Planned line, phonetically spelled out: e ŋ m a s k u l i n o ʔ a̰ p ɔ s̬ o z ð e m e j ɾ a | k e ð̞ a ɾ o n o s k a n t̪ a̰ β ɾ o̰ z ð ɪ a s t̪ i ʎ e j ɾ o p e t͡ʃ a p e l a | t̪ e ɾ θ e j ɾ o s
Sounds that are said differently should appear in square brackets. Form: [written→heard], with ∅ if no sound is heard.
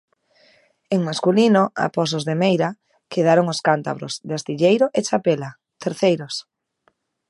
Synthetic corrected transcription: e ŋ m a s k u l i n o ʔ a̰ p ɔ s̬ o z ð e m e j ɾ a | k e ð̞ a ɾ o [n→ŋ] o s k a n t̪ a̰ β ɾ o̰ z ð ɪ a s t̪ i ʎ e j ɾ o [p→ʔ] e t͡ʃ a p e l a | t̪ e ɾ θ e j ɾ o s